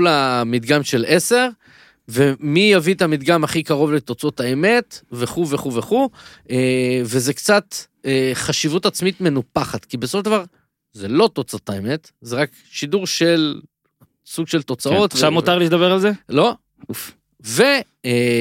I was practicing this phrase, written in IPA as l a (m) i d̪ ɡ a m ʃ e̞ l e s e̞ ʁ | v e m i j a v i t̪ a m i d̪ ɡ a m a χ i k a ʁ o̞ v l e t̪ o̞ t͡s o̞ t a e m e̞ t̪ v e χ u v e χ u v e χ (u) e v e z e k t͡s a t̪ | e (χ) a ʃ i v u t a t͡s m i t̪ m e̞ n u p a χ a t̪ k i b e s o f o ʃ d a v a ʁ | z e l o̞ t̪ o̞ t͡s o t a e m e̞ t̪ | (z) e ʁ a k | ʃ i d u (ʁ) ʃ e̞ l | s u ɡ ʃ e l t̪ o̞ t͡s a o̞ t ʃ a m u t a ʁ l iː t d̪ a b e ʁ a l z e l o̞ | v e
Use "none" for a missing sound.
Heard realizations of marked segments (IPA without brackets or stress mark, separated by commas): m, u, χ, z, ʁ